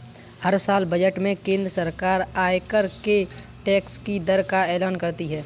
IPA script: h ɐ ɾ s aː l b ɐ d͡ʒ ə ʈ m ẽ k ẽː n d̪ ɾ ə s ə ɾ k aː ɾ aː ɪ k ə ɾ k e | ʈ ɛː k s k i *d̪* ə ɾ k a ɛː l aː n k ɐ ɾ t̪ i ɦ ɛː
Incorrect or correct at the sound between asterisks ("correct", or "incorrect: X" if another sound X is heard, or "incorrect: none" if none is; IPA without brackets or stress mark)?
correct